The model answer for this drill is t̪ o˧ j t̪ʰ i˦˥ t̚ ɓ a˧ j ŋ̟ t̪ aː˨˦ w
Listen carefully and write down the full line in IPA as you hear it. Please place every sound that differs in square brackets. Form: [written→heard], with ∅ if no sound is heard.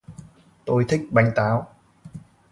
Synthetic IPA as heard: t̪ o˧ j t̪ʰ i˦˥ [t̚→k̚] ɓ a˧ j ŋ̟ t̪ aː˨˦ w

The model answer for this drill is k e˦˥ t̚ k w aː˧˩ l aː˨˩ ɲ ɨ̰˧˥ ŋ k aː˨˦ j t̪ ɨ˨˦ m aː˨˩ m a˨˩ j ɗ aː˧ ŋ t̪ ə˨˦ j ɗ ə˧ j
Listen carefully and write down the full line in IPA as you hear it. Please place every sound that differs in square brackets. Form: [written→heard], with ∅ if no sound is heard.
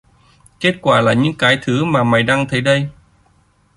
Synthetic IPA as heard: k e˦˥ t̚ k w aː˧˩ l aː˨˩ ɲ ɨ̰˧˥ ŋ k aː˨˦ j [t̪→t̪ʰ] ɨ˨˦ m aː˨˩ m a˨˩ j ɗ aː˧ ŋ [t̪→t̪ʰ] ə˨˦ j ɗ ə˧ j

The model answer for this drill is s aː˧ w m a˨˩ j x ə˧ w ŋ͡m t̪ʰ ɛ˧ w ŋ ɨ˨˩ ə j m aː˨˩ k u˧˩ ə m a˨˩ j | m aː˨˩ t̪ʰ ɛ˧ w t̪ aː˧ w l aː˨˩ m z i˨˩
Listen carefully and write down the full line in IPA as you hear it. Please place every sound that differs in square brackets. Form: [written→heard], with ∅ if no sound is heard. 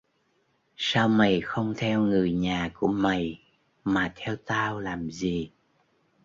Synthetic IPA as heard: s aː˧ w m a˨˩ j x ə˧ w ŋ͡m t̪ʰ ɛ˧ w ŋ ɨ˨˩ ə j [m→ɲ] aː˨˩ k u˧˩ ə m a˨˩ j | m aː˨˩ t̪ʰ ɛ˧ w t̪ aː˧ w l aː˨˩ m z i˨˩

